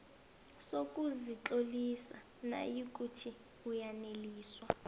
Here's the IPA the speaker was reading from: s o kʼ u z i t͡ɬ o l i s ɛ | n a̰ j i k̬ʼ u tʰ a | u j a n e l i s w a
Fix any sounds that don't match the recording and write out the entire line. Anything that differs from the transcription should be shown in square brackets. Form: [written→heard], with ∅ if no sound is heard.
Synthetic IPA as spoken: s o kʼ u z i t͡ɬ o l i s [ɛ→a] | n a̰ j i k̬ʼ u tʰ [a→i] | u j a n e l [i→iː] s w a